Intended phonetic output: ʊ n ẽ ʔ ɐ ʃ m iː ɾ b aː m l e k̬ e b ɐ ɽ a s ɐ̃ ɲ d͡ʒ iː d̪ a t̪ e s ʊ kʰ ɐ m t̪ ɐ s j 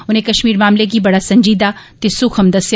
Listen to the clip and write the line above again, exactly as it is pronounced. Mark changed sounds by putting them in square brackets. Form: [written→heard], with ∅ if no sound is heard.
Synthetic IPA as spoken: ʊ n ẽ [ʔ→k] ɐ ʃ m iː ɾ [b→m] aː m l e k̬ [e→i] b ɐ ɽ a s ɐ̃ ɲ d͡ʒ iː d̪ a t̪ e s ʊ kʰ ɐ m [t̪→d̪] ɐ s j